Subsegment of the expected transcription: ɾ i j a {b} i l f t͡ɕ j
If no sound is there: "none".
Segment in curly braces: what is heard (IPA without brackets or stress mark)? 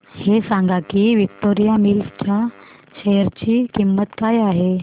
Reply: m